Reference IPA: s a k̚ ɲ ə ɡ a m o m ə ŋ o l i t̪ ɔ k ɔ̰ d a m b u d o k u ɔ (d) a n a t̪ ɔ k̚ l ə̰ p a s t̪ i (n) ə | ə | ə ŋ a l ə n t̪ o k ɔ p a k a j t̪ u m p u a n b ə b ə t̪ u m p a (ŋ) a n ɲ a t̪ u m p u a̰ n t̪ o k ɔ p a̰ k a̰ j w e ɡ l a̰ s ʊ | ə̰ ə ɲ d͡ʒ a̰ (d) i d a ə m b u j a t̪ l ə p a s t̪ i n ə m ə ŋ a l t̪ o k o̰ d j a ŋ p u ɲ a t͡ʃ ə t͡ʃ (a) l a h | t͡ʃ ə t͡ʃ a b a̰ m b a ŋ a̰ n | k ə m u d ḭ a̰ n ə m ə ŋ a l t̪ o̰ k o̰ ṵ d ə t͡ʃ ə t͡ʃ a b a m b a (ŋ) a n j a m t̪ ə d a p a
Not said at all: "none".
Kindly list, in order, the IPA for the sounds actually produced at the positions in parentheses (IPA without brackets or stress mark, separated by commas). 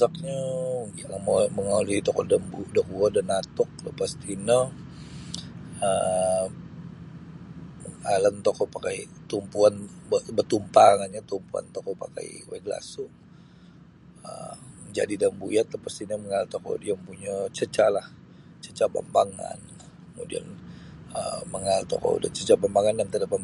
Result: d, n, ŋ, d, a, ŋ